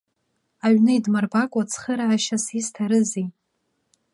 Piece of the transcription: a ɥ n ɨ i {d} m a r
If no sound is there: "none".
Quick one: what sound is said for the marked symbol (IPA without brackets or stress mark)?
d